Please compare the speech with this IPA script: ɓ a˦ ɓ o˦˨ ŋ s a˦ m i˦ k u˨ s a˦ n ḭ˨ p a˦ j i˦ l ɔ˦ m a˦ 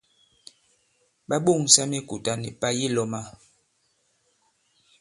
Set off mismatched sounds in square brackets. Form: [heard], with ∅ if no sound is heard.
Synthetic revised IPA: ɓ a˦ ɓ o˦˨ ŋ s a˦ m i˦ k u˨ [t] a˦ n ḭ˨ p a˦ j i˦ l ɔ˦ m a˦